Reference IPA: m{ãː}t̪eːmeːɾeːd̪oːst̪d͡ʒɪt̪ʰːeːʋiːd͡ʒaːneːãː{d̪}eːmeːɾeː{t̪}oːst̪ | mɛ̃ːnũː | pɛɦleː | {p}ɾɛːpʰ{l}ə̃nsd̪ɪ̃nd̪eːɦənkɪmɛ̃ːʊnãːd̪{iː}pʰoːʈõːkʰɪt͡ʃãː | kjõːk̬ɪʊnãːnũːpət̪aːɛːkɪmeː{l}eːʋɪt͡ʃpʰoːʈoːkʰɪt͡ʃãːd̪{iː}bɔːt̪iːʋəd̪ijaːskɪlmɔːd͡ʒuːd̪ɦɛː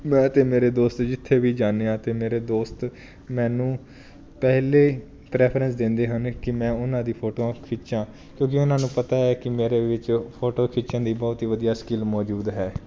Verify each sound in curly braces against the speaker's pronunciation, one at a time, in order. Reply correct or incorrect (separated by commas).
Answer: incorrect, incorrect, incorrect, correct, incorrect, correct, incorrect, correct